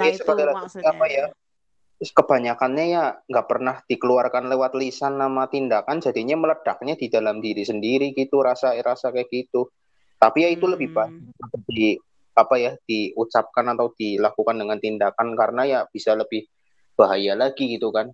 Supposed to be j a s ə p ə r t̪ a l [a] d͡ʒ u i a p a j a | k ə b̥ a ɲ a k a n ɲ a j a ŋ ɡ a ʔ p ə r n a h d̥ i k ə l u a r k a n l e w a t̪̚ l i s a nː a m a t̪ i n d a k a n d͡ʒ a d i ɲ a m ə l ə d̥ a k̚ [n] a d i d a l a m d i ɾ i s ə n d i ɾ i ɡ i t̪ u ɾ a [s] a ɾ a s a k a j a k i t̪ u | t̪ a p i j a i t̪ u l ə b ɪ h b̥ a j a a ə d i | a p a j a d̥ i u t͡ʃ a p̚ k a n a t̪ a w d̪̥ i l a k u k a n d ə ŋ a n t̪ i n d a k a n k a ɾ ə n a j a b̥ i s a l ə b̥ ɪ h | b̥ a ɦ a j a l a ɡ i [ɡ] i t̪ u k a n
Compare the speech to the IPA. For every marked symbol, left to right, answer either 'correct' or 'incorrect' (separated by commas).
correct, incorrect, correct, correct